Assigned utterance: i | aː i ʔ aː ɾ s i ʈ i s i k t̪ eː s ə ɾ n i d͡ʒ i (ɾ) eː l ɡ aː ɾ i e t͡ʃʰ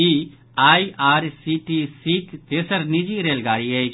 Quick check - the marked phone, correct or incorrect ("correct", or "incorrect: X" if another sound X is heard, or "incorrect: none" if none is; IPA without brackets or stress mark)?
correct